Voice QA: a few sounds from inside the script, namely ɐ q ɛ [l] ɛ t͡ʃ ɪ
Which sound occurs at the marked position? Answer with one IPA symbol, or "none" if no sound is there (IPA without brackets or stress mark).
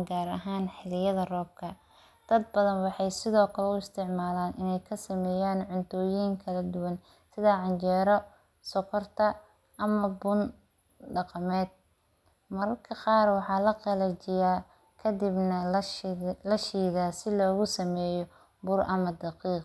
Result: l